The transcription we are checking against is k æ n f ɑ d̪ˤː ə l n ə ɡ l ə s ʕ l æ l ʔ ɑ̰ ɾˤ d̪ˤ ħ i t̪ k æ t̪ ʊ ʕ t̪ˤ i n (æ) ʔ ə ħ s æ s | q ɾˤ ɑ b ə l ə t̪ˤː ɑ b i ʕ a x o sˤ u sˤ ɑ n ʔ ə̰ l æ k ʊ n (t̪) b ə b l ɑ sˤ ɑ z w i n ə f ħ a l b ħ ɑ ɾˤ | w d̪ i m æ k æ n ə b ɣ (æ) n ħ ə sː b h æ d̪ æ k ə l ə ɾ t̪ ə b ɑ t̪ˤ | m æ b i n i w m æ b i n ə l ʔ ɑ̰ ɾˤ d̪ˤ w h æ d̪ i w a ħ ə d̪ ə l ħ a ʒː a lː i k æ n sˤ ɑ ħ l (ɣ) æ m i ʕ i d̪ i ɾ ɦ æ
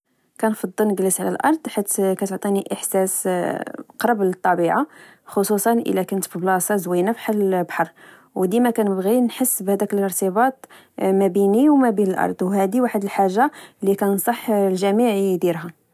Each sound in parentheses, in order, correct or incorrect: incorrect, correct, incorrect, incorrect

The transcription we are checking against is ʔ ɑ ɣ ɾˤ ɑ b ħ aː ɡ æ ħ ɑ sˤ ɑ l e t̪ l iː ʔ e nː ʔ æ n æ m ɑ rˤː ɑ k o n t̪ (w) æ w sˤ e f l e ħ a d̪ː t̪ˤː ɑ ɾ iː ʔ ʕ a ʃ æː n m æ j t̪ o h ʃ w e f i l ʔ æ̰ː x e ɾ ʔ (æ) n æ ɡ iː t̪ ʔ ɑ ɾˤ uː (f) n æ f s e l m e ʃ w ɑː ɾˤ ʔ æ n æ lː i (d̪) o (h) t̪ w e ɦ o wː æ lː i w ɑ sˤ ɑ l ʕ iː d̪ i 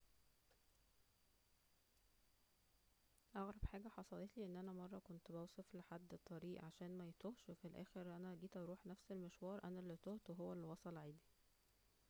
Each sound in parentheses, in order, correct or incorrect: incorrect, correct, incorrect, incorrect, correct

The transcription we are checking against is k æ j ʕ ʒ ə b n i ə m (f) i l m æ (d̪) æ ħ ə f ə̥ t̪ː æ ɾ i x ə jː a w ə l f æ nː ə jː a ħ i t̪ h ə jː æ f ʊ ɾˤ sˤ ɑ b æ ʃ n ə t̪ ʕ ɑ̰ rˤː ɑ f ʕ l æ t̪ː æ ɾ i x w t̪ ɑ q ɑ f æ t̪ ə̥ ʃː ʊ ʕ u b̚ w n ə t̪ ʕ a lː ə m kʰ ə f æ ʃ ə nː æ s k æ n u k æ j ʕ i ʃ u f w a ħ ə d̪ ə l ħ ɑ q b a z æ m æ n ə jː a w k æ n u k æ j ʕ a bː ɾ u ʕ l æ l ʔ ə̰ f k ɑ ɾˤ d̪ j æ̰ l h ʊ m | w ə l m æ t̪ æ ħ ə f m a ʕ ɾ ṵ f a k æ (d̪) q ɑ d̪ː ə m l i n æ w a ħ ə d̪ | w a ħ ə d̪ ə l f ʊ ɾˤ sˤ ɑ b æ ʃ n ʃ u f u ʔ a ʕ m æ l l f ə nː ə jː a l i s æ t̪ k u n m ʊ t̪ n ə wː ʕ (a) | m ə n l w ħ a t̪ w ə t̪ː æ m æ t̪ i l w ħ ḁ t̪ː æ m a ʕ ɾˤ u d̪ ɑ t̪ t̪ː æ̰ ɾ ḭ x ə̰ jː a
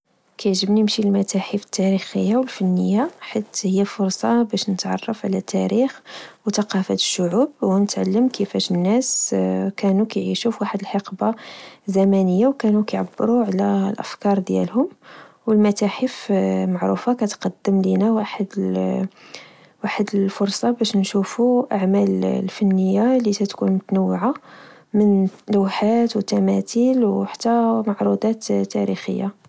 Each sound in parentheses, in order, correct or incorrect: incorrect, incorrect, incorrect, correct

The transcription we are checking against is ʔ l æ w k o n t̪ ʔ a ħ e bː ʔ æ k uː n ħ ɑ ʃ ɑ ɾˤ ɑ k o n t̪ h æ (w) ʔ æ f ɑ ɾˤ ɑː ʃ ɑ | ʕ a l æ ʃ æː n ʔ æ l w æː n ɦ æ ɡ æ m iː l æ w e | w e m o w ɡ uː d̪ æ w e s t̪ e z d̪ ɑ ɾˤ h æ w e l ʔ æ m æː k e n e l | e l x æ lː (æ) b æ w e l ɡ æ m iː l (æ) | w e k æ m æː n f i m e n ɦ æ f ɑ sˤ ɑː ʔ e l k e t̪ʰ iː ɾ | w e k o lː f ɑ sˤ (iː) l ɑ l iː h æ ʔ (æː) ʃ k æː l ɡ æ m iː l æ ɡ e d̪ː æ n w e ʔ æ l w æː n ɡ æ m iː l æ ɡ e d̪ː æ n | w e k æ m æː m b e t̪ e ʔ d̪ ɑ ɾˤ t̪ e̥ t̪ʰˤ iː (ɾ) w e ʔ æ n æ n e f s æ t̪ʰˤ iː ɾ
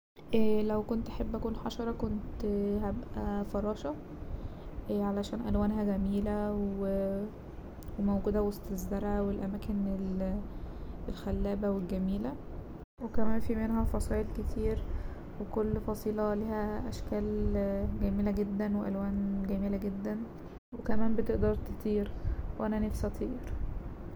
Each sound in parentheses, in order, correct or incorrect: incorrect, incorrect, correct, correct, incorrect, correct

